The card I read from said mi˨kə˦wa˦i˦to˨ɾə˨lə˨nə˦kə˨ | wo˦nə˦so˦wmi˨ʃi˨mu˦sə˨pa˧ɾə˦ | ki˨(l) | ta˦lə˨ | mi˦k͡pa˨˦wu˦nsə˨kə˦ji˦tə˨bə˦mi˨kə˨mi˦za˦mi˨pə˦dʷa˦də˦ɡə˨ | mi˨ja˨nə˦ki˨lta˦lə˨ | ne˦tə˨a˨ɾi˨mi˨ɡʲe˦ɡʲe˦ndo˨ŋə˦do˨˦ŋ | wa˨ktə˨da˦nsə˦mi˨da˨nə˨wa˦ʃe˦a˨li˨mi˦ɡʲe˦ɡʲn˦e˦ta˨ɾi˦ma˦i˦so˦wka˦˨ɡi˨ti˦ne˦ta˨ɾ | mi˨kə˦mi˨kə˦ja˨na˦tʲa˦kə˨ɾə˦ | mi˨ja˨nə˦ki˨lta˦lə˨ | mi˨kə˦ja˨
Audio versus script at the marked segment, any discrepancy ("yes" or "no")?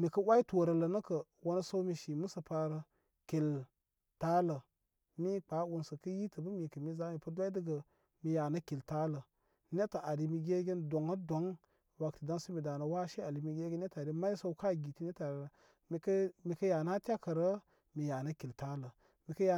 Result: no